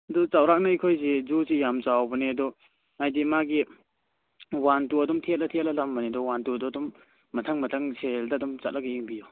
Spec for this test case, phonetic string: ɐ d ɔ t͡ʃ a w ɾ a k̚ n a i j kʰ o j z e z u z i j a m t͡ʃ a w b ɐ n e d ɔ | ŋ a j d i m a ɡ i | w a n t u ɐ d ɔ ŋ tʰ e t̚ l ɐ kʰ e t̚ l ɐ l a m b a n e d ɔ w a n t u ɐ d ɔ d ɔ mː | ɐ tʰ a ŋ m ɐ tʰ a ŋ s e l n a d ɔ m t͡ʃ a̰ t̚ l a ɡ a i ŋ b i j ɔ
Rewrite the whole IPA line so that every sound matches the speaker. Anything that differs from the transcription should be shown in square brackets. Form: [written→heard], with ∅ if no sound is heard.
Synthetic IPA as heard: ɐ d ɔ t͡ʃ a w ɾ a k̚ n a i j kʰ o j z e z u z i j a m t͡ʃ a w b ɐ n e d ɔ | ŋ a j d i m a ɡ i | w a n t u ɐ d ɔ [ŋ→m] tʰ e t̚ l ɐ [kʰ→tʰ] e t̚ l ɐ l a m b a n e d ɔ w a n t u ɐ d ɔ d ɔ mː | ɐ tʰ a ŋ m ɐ tʰ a ŋ s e l [n→d] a d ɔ m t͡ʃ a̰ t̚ l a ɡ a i ŋ b i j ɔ